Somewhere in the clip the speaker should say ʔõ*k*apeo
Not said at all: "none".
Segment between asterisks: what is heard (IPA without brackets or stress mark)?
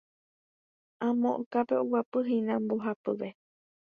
k